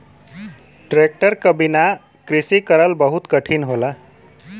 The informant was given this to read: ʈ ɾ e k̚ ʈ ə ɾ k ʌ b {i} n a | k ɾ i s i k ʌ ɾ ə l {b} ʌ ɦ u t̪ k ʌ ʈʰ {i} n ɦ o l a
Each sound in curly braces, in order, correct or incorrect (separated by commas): correct, correct, correct